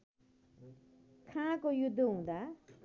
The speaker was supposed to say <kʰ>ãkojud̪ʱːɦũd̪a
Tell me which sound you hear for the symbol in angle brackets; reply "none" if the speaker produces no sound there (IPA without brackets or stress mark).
kʰ